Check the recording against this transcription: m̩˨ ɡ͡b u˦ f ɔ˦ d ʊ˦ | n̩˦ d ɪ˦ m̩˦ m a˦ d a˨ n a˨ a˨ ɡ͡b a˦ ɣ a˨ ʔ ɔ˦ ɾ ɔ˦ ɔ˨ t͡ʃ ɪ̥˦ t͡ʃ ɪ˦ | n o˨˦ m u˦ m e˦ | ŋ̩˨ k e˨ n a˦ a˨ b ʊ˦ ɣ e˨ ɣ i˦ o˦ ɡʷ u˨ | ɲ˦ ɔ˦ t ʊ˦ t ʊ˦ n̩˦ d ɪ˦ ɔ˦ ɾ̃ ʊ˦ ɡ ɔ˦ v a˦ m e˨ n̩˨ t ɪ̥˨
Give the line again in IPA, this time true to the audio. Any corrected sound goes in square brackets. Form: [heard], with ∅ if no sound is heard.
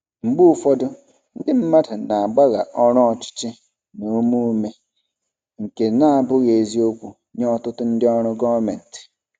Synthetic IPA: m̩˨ ɡ͡b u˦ f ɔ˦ d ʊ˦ | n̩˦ d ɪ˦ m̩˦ m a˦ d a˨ n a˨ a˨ ɡ͡b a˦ ɣ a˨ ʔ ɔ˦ ɾ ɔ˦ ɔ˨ t͡ʃ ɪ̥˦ t͡ʃ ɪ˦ | n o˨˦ m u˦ m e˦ | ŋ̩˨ k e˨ n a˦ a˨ b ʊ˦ ɣ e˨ [z] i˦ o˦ [kʷ] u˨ | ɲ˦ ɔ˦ t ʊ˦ t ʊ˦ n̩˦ d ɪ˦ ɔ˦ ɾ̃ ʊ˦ ɡ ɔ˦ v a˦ m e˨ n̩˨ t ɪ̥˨

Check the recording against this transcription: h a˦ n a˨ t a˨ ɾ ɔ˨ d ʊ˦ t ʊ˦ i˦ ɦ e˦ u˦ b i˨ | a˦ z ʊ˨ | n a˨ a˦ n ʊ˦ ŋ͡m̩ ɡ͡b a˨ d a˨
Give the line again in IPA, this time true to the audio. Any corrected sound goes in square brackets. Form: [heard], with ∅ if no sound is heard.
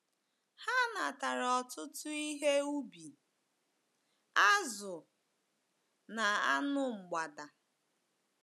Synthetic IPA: h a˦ n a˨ t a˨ ɾ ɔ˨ [t] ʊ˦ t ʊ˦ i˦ ɦ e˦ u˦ b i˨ | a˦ z ʊ˨ | n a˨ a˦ n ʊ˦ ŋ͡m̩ ɡ͡b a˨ d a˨

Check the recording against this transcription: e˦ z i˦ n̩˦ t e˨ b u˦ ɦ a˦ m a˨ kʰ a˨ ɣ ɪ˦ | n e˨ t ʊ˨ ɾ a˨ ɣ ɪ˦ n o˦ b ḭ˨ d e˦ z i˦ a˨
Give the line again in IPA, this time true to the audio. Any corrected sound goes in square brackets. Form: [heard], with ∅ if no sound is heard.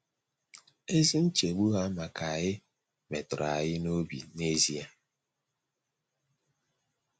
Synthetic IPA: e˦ z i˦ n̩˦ [t͡ʃ] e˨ [ɡ͡b] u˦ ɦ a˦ m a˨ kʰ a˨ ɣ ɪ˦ | [m] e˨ t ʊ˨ ɾ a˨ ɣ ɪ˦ n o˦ b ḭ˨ [n] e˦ z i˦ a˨

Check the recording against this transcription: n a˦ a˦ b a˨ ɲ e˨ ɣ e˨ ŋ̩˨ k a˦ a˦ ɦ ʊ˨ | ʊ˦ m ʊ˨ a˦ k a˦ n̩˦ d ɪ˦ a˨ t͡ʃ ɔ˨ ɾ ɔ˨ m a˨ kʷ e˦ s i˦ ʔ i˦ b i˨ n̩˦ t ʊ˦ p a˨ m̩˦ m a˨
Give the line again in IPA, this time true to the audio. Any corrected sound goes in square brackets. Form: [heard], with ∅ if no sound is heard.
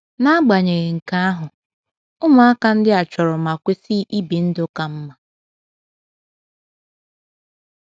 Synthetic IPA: n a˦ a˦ [ɡ͡b] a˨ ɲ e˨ ɣ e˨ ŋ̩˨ k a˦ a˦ ɦ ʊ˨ | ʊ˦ m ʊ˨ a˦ k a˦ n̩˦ d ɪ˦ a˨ t͡ʃ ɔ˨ ɾ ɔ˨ m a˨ kʷ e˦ s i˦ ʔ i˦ b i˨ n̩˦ [d] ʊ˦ [k] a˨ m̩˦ m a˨

